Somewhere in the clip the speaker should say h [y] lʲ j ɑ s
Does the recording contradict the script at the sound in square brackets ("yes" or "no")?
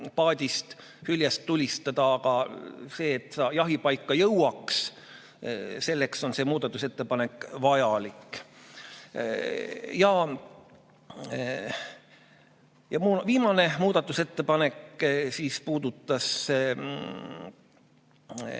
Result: no